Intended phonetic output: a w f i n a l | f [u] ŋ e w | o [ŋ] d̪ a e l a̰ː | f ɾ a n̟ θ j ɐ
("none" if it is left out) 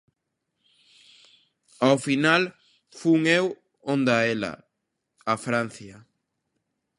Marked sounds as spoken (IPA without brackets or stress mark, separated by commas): u, n